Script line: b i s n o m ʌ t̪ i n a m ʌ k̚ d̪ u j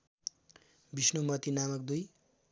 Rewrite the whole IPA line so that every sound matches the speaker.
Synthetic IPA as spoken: b i s n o m ʌ t̪ i n a m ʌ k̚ d̪ u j